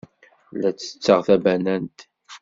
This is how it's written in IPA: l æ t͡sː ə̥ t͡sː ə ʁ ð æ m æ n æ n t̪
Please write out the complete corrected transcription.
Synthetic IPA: l æ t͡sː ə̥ t͡sː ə ʁ θ æ b æ n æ n t̪

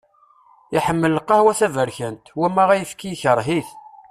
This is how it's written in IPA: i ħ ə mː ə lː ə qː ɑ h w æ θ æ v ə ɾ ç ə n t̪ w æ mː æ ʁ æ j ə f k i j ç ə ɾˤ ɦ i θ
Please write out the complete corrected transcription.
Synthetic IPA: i ħ ə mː ə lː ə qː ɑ h w æ θ æ v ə ɾ ç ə n t̪ w æ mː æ ʁ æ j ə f k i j ç ə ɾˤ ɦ i θ

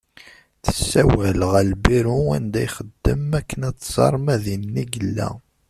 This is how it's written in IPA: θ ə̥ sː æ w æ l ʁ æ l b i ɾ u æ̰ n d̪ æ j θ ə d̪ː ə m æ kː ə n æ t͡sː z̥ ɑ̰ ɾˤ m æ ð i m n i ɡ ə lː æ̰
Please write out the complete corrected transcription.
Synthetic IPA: θ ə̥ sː æ w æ l ʁ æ l b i ɾ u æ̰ n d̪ æ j χ ə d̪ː ə m æ kː ə n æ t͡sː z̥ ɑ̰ ɾˤ m æ ð i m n i ɡ ə lː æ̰

